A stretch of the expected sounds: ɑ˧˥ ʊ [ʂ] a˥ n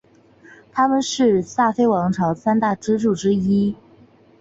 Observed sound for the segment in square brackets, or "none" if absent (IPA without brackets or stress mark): s